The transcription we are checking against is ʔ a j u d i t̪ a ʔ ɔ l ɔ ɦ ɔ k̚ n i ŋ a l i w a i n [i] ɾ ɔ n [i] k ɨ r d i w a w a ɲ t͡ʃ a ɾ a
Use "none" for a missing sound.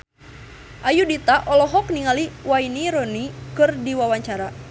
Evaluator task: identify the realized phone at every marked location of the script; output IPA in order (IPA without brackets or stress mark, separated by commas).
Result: i, i